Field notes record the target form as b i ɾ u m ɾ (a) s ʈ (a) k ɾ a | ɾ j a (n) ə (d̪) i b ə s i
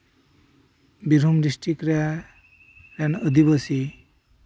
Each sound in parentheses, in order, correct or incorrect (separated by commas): incorrect, incorrect, correct, correct